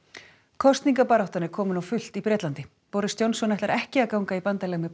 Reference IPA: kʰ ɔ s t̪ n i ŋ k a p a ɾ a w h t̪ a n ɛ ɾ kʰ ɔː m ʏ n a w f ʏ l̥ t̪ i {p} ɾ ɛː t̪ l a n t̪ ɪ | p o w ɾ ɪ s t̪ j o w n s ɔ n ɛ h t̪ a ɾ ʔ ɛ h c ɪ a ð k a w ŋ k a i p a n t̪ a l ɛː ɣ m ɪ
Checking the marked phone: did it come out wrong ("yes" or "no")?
no